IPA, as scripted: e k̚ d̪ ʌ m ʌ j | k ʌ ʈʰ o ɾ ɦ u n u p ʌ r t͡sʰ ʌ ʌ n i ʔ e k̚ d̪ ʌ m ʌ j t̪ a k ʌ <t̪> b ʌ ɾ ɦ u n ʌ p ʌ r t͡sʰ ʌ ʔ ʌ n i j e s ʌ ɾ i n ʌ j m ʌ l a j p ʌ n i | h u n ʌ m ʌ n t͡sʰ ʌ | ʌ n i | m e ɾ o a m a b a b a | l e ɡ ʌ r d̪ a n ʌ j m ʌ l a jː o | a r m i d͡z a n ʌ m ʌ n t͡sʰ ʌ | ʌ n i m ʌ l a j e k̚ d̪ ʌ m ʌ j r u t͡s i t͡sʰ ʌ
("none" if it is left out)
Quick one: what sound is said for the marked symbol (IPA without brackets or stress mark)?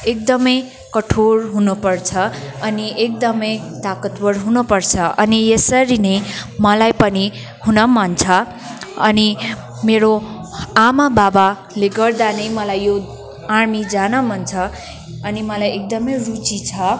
t̪